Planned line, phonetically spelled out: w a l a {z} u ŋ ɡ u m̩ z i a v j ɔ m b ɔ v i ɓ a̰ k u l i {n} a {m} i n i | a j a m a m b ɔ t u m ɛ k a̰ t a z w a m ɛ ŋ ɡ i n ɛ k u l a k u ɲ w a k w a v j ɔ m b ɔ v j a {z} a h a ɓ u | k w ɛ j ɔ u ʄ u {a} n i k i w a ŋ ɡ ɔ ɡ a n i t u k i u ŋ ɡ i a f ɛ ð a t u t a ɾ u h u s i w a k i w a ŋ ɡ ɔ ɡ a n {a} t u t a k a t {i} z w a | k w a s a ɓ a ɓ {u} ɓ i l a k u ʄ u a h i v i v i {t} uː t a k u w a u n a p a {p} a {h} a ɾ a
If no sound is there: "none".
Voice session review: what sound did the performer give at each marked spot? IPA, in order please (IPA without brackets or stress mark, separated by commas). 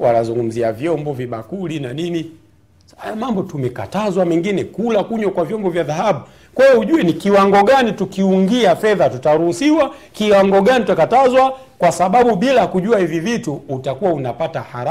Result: z, n, n, ð, ɛ, i, a, u, t, t, h